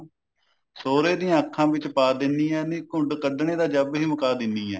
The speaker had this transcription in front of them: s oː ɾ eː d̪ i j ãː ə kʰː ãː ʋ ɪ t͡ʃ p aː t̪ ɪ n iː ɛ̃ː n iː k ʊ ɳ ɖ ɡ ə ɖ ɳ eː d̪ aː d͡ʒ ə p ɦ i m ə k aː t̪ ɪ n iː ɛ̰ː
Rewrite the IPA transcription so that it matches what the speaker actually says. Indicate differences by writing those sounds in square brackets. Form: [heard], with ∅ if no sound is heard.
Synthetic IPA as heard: s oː ɾ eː d̪ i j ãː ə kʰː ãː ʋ ɪ t͡ʃ p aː [d̪] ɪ n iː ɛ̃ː n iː k ʊ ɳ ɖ [k] ə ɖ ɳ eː d̪ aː d͡ʒ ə [b] ɦ [iː] m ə k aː [d̪] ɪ n iː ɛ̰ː